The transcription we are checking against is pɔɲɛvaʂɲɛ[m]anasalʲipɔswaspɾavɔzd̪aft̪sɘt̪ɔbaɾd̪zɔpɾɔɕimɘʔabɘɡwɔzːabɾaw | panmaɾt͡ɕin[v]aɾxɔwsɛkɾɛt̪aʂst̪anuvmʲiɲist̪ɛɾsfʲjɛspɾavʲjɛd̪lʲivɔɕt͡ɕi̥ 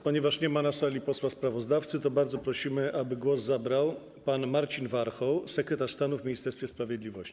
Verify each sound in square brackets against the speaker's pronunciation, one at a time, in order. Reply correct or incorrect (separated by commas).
correct, correct